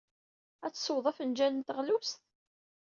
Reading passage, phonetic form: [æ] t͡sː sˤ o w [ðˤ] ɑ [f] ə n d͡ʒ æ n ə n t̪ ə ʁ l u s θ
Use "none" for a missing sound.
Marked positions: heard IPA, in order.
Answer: æ, ðˤ, f

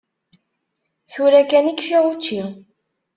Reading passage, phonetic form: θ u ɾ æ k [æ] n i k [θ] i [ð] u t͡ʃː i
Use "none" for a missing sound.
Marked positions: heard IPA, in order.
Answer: æ, f, ʁ

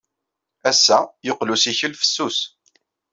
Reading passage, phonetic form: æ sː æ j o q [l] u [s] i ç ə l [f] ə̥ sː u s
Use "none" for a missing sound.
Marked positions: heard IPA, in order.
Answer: l, s, f

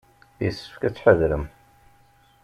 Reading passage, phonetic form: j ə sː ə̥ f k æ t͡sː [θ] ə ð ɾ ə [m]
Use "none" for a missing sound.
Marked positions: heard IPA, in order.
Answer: ħ, m

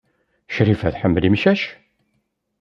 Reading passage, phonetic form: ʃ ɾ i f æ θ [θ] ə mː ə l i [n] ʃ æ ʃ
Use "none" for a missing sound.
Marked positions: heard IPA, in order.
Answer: ħ, m

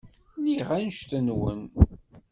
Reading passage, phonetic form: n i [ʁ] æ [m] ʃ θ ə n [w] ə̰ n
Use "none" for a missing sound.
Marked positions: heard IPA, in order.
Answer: ʁ, n, w

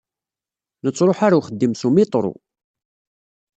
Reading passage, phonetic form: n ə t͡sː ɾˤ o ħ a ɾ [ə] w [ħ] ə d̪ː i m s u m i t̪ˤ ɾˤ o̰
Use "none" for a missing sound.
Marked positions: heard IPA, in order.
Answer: a, χ

